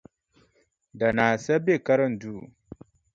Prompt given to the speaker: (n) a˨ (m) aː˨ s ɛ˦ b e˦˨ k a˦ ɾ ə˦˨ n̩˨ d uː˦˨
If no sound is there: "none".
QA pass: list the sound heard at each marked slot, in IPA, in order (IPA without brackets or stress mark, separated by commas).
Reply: d, n